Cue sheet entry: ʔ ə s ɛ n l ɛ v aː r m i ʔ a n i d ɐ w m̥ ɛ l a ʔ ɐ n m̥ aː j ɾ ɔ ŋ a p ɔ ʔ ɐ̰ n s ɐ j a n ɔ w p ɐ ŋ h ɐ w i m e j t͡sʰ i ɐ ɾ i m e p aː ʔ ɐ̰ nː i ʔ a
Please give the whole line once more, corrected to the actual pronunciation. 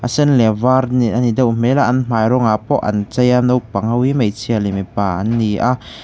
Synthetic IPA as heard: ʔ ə s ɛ n l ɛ v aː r n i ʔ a n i d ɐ w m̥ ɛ l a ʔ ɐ n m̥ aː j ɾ ɔ ŋ a p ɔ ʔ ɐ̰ n t͡s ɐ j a n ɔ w p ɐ ŋ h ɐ w i m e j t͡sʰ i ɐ l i m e p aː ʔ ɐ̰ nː i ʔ a